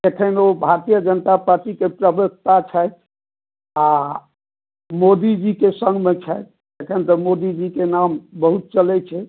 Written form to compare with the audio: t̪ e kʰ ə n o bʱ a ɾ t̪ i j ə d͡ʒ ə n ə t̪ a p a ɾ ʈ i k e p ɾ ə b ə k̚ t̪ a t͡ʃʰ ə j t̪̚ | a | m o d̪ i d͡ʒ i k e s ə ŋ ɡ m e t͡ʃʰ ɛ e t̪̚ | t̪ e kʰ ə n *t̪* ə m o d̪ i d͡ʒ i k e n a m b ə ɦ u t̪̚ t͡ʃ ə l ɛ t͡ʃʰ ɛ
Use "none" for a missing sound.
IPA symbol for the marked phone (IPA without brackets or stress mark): t̪